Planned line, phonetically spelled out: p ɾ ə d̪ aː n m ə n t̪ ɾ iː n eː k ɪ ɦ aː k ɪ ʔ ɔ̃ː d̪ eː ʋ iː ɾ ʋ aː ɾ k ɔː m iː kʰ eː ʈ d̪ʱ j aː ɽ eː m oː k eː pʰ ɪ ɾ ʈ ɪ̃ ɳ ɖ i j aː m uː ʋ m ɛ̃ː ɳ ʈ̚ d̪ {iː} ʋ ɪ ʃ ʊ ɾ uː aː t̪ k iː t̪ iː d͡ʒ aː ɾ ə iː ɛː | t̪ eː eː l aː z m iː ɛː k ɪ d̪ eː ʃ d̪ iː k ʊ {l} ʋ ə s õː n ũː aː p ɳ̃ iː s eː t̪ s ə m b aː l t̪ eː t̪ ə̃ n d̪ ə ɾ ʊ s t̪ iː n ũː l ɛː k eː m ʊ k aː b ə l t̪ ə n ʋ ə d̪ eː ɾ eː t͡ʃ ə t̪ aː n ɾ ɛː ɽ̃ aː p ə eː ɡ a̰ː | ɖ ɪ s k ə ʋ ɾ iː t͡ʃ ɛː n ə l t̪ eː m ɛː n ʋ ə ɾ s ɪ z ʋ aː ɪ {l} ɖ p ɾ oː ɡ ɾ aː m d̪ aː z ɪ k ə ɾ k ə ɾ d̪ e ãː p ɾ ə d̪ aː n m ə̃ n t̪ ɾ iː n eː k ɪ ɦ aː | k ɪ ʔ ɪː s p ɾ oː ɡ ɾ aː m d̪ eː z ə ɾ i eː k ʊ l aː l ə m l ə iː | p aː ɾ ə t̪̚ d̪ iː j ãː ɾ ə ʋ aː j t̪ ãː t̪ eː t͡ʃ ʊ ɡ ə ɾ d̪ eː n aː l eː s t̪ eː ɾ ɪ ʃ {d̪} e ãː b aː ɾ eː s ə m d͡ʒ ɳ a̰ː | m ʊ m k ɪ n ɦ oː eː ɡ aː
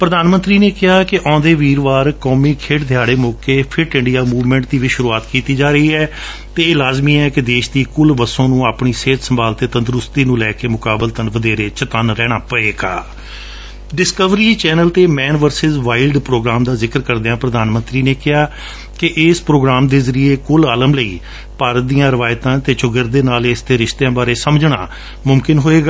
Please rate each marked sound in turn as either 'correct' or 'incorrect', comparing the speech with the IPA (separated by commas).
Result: correct, correct, correct, incorrect